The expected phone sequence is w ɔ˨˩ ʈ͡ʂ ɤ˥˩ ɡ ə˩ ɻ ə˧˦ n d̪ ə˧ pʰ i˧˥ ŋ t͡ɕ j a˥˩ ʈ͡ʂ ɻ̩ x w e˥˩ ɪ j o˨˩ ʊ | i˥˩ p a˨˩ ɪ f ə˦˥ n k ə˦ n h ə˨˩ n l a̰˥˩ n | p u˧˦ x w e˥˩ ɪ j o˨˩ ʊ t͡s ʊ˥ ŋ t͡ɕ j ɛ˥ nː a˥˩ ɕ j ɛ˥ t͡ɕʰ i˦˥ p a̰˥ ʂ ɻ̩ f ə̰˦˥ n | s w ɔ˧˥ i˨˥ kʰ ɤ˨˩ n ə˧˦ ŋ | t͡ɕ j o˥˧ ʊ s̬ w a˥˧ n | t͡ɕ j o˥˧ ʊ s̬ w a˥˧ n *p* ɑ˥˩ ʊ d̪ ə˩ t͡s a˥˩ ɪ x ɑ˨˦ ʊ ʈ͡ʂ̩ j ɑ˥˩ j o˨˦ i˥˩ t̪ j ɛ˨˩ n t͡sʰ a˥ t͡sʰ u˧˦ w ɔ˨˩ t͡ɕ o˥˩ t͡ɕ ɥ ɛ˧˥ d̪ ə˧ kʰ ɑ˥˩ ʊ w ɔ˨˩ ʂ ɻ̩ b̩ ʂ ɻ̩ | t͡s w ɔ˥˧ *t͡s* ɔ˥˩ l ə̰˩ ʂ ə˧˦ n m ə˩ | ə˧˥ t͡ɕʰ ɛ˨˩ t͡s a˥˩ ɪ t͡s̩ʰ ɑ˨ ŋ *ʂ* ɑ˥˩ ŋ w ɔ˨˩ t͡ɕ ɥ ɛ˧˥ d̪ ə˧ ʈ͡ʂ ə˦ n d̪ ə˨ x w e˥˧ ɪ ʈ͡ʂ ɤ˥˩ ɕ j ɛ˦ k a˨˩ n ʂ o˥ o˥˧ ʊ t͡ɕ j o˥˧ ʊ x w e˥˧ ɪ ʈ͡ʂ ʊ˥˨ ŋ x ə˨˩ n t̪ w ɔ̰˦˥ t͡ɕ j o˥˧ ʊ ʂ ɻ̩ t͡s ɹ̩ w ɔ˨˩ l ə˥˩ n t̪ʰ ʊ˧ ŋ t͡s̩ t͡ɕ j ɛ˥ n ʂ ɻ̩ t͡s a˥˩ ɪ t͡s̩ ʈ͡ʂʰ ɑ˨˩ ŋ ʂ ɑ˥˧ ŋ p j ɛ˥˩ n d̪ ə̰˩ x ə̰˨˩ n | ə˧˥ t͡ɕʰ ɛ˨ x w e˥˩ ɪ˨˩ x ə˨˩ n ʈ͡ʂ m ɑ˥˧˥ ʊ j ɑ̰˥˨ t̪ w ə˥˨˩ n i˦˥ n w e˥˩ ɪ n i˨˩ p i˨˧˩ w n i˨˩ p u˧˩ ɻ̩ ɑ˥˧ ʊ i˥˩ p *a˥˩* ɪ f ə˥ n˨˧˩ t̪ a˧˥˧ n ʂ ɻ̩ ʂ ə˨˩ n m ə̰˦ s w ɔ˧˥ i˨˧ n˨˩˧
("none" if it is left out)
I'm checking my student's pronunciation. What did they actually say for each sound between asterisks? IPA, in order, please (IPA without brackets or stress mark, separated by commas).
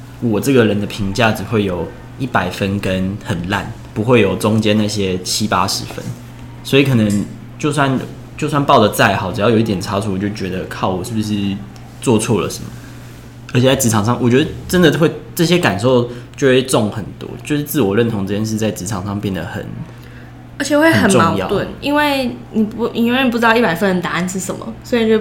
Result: p, t͡sʰ, ʂ, a˨˩